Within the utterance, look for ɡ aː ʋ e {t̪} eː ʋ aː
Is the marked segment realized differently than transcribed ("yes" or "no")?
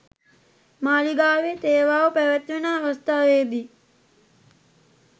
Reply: no